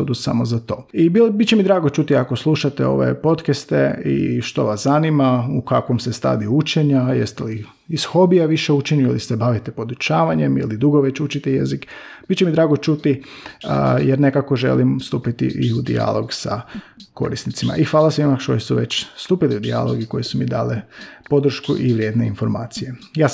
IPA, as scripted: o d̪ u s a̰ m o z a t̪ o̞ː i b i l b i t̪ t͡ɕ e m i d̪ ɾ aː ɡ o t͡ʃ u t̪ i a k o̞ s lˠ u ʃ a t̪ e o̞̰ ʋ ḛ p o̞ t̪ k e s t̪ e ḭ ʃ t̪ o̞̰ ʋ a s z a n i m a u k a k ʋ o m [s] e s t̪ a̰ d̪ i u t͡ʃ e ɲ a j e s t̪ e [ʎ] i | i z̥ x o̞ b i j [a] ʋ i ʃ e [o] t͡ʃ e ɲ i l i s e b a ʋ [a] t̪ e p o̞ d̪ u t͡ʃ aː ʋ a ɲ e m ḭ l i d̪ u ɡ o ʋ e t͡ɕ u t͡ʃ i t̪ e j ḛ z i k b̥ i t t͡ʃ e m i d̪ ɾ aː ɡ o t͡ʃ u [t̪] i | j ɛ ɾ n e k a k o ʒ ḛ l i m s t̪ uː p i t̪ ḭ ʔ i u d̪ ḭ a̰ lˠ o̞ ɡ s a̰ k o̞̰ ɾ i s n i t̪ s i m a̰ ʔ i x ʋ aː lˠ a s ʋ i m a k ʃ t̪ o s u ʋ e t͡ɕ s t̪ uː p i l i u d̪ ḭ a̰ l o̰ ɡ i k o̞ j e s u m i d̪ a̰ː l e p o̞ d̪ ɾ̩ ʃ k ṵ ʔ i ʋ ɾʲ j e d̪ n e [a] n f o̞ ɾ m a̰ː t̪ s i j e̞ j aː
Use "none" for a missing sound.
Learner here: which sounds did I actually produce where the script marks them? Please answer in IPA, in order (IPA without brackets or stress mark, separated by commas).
s, l, a, u, i, t̪, i